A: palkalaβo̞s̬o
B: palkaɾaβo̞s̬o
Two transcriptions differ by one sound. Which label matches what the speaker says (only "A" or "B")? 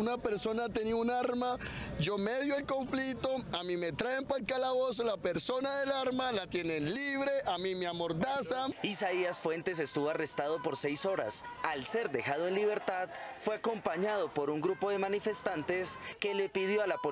A